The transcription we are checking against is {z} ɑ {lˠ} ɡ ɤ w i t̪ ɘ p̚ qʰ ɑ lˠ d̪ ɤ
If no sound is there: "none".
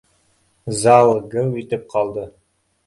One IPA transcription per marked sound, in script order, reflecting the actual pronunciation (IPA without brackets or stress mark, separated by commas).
z, lˠ